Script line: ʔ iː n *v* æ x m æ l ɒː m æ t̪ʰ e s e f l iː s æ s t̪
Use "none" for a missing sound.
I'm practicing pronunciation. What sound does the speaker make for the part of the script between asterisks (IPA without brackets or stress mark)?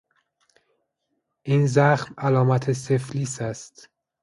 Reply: z